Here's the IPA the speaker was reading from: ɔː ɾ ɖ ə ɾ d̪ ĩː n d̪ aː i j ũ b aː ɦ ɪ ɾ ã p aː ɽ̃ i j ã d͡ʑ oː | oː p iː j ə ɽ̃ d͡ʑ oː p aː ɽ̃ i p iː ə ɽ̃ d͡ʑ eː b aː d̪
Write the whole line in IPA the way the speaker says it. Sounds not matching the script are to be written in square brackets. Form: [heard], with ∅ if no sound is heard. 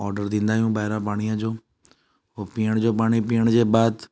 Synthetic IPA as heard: ɔː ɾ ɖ ə ɾ d̪ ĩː n d̪ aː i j ũ b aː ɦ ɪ ɾ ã p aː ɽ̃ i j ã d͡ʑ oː | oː p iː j ə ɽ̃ d͡ʑ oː p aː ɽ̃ i p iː ə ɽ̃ d͡ʑ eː b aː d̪